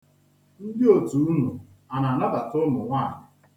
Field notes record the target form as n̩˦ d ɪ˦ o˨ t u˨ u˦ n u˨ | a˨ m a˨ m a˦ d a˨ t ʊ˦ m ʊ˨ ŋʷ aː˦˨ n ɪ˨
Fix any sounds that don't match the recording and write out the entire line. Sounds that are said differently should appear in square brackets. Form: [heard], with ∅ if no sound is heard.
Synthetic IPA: n̩˦ d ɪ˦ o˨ t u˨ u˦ n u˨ | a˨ [n] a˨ [n] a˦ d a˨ t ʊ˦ m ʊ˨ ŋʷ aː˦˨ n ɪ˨